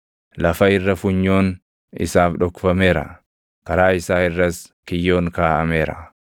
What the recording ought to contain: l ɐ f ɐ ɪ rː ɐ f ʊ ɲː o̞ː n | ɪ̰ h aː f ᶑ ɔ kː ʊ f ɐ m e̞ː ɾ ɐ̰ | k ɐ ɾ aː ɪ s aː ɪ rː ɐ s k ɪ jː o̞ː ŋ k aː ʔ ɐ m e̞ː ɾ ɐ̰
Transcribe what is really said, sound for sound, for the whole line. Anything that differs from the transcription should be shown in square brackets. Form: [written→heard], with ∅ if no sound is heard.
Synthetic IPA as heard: l ɐ f ɐ ɪ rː ɐ f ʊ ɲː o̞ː n | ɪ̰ [h→s] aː f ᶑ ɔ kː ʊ f ɐ m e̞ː ɾ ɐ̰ | k ɐ ɾ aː ɪ s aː ɪ rː ɐ s k ɪ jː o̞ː ŋ k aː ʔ ɐ m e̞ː ɾ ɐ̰